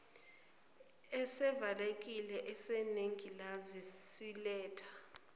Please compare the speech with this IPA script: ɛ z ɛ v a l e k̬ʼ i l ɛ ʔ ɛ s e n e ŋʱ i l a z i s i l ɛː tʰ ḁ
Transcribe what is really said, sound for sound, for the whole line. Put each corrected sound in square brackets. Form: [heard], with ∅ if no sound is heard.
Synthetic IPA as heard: ɛ [s] ɛ v a l e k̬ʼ i l ɛ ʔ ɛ s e n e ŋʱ i l a z i s i l ɛː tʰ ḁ